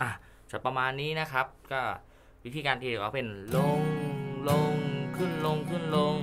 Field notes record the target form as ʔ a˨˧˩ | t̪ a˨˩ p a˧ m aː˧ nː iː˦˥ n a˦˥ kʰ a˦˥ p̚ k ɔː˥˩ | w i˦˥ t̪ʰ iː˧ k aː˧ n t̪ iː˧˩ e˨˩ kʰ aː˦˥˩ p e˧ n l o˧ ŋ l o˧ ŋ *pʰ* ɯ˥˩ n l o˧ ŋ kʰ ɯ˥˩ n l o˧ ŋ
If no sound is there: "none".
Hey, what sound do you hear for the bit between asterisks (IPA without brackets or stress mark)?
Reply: kʰ